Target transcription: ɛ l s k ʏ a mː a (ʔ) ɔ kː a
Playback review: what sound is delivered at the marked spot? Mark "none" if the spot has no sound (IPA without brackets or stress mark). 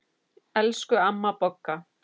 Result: p